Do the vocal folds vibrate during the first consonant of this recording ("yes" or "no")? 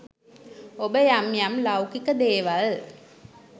yes